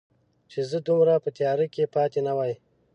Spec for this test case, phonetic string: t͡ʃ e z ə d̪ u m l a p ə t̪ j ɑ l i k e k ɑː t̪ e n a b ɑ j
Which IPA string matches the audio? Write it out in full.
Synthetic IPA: t͡ʃ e z ə d̪ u m ɾ a p ə t̪ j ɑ ɾ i k e p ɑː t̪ e n a w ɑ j